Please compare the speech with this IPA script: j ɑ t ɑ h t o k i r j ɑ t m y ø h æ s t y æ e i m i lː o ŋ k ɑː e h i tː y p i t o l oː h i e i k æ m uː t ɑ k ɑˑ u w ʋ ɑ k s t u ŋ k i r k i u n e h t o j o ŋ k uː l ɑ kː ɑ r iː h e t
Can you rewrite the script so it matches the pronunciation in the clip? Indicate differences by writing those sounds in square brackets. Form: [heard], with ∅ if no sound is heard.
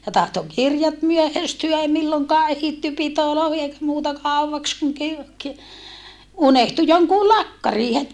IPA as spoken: j ɑ t ɑ h t o k i r j ɑ t m y ø h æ s t y æ e i m i lː o ŋ k ɑː e h i tː y p i t o l oː h i e i k æ m uː t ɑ k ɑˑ u w ʋ ɑ k s [k] u ŋ k i r k i u n e h t [u] j o ŋ k uː l ɑ kː ɑ r iː h e t